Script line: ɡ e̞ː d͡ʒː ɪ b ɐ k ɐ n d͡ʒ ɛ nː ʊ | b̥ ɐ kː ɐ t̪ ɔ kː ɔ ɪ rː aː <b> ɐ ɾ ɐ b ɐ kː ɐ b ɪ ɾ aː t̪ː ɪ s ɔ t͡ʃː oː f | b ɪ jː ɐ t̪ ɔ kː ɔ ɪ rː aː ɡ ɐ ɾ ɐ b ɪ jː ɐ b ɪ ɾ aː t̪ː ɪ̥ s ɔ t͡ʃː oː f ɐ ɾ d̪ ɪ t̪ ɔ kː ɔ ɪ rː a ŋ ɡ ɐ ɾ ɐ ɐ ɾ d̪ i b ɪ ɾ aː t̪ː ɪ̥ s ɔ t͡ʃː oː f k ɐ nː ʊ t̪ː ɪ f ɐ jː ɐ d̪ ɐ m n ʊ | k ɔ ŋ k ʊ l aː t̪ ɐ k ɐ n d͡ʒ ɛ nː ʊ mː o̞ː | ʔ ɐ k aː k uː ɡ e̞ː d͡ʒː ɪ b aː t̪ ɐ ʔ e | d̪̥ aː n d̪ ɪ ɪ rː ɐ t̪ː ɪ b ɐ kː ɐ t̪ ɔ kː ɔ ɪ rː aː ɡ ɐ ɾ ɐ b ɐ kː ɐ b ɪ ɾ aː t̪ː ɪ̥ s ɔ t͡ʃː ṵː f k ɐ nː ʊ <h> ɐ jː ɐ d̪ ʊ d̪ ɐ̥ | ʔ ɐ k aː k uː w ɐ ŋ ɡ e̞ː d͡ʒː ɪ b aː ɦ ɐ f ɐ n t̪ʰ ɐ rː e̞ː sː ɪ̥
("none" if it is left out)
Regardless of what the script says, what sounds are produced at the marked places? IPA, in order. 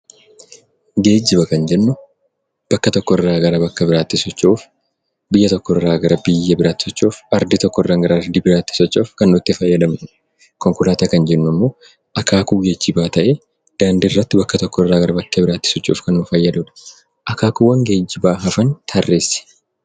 ɡ, f

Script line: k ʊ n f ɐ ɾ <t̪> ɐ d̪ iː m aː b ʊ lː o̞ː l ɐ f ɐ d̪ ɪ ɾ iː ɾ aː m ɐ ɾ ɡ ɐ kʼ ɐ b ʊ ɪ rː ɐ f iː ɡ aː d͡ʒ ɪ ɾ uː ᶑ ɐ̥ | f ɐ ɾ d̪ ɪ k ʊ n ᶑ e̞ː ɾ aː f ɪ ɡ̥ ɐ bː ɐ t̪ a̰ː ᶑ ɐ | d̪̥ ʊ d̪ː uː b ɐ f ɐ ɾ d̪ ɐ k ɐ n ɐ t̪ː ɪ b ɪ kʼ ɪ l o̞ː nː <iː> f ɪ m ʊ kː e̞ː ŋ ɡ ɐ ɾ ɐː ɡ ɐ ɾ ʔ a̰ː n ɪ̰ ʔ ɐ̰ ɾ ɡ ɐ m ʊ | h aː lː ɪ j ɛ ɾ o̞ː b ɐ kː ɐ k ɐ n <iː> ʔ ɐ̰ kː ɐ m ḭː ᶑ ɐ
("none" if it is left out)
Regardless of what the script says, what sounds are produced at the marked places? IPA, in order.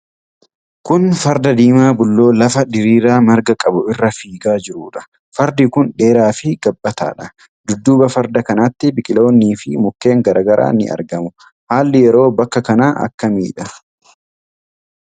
d̪, iː, aː

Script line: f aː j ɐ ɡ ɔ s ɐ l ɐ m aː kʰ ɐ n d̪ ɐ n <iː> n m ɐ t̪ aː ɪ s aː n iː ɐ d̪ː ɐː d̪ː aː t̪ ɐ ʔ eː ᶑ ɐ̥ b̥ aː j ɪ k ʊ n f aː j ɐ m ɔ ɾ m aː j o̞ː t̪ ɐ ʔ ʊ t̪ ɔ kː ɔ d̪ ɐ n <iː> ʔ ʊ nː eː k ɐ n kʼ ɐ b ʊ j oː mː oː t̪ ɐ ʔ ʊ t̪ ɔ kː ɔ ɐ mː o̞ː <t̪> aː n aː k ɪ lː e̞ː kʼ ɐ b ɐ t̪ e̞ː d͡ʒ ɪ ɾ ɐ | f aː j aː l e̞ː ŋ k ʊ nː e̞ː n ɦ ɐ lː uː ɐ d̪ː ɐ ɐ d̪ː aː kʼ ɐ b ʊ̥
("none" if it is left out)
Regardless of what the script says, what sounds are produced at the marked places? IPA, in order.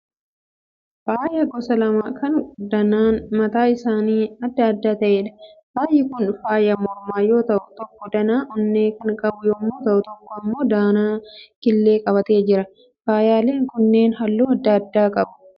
aː, aː, d̪

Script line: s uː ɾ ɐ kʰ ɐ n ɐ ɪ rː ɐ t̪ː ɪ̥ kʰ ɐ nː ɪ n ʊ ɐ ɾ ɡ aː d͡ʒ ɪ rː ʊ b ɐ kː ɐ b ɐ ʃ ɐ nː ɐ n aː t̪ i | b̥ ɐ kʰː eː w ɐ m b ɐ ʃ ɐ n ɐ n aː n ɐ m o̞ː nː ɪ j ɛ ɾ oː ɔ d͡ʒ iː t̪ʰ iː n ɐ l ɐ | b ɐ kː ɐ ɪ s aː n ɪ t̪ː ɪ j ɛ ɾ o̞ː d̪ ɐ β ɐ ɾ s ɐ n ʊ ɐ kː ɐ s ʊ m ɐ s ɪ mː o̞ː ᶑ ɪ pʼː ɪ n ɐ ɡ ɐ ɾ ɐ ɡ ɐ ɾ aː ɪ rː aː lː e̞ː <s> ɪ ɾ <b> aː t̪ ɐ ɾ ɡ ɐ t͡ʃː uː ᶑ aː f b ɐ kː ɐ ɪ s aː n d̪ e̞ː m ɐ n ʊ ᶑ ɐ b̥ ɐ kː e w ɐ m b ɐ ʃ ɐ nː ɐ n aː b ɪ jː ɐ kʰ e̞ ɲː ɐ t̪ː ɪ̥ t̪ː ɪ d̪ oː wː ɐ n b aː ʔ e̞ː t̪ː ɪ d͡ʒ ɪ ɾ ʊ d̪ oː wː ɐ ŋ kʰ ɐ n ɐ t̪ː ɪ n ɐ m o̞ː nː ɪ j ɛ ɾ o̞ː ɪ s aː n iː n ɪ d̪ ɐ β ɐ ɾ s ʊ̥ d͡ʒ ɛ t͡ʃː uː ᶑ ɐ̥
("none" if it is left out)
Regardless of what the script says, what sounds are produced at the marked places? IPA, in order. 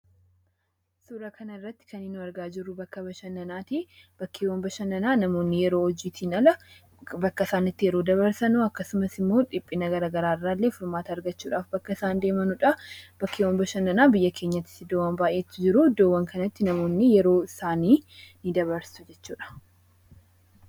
f, m

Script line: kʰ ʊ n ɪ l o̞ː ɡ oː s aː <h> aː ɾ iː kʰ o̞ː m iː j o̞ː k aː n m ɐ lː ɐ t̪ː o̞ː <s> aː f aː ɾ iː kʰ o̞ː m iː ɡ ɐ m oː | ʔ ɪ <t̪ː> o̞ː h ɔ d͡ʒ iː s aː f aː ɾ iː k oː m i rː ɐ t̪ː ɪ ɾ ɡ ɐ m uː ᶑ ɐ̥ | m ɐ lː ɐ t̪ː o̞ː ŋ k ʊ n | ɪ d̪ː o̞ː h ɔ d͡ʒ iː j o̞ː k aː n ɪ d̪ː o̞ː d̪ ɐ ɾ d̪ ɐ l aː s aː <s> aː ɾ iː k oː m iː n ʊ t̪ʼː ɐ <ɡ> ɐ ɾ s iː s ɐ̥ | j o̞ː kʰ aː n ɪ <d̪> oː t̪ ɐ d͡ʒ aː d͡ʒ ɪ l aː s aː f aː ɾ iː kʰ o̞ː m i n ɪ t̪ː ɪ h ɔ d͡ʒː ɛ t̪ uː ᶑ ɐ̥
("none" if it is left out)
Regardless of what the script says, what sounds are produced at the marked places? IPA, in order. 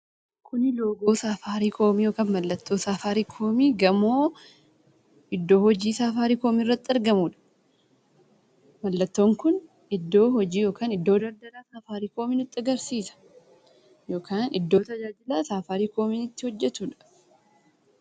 f, s, d̪ː, f, ɡ, d̪ː

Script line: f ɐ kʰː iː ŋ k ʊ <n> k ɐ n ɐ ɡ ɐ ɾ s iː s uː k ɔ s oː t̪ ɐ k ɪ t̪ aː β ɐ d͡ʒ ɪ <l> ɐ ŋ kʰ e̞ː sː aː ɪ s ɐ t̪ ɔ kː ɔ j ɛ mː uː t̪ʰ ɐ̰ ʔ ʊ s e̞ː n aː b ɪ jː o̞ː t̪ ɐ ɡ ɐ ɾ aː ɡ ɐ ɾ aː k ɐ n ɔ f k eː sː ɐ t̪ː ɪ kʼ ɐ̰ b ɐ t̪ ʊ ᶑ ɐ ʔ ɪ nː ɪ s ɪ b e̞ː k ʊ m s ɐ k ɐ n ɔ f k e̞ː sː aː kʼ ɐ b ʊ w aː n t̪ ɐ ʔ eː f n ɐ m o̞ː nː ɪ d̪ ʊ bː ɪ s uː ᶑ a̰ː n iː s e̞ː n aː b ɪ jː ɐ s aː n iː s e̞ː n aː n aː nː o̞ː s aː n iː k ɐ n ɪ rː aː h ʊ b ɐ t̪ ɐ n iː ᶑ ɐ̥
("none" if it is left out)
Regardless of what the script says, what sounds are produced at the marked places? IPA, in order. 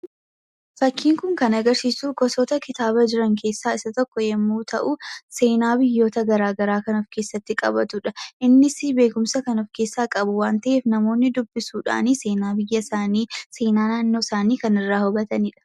ŋ, ɾ

